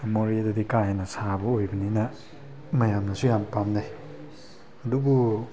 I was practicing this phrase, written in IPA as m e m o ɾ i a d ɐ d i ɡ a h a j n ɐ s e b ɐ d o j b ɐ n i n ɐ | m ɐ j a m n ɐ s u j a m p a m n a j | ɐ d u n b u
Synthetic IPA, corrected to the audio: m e m o ɾ i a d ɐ d i k a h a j n ɐ s a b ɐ o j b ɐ n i n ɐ | m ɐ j a m n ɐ s u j a m p a m n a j | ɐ d u b u